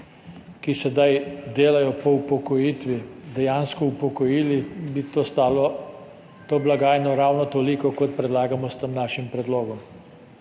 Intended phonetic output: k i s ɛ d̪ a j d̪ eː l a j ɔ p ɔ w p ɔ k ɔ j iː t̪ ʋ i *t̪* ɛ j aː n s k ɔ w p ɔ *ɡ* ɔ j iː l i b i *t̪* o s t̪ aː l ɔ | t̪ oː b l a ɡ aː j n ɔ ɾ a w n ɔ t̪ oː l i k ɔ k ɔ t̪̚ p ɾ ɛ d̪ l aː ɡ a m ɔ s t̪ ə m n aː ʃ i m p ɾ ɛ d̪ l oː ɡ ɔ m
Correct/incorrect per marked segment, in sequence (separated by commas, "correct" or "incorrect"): incorrect, incorrect, correct